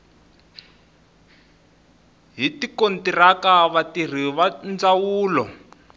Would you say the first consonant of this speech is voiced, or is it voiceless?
voiced